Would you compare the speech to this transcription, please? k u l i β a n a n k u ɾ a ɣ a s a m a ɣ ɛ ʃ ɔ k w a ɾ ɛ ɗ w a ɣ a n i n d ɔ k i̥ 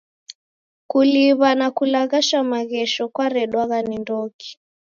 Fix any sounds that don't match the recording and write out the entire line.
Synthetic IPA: k u l i β a n a k u l a ɣ a ʃ a m a ɣ ɛ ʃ ɔ k w a ɾ ɛ ɗ w a ɣ a n i n d ɔ k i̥